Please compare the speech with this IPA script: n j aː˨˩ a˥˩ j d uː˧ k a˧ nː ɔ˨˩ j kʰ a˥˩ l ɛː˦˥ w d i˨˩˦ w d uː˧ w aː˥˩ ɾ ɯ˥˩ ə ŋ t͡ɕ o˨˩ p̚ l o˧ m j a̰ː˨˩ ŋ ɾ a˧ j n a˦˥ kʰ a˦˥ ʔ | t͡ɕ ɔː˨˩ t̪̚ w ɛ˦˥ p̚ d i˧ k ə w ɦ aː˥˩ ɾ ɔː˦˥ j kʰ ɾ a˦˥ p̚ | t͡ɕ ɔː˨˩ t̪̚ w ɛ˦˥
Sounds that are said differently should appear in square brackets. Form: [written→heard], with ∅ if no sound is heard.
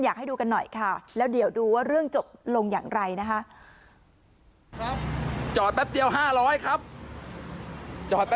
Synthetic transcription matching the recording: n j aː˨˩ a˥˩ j d uː˧ k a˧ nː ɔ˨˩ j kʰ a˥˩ l ɛː˦˥ w d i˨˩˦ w d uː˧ w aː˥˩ ɾ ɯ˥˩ ə ŋ t͡ɕ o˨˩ p̚ l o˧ [m→ŋ] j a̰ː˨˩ ŋ ɾ a˧ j n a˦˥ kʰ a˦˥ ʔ | t͡ɕ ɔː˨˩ t̪̚ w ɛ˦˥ p̚ d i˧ [k→∅] ə w ɦ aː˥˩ ɾ ɔː˦˥ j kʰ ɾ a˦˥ p̚ | t͡ɕ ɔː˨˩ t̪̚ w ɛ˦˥